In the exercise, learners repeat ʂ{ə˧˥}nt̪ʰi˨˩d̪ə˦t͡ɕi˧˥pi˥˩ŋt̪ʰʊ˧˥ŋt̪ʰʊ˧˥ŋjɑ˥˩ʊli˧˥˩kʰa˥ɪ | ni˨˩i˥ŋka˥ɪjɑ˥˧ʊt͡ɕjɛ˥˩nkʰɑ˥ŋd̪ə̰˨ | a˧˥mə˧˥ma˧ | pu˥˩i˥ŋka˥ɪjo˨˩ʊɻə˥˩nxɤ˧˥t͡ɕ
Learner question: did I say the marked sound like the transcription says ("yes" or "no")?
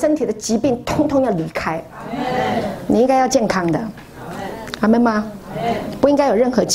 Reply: no